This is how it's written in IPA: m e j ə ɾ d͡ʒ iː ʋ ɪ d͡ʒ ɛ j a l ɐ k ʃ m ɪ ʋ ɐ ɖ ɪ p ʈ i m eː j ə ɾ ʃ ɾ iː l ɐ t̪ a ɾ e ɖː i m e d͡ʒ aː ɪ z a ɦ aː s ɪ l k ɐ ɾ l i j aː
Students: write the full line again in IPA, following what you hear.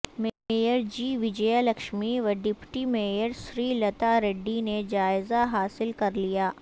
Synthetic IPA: m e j ə ɾ d͡ʒ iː ʋ ɪ d͡ʒ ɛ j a l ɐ k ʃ m i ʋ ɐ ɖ ɪ p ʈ i m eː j ə ɾ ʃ ɾ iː l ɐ t̪ a ɾ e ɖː i n e d͡ʒ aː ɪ z a ɦ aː s ɪ l k ɐ ɾ l i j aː